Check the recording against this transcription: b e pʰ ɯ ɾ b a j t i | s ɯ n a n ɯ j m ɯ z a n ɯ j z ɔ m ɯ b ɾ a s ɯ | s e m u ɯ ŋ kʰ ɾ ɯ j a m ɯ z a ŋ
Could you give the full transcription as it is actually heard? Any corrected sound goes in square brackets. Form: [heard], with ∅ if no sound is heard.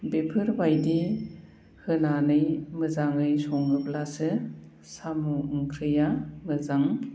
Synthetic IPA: b e pʰ ɯ ɾ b a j [d] i | [h] ɯ n a n ɯ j m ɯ z a [ŋ] ɯ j [s] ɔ [ŋ] ɯ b [l] a s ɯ | s [a] m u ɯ ŋ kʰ ɾ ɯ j a m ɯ z a ŋ